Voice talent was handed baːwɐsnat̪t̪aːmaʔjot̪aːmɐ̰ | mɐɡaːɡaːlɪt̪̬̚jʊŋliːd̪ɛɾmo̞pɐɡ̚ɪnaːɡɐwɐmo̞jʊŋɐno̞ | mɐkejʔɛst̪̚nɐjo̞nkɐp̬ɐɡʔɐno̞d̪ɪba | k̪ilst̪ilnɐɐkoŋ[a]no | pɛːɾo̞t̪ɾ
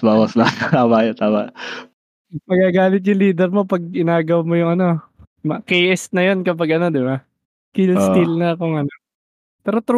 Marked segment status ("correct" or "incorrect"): incorrect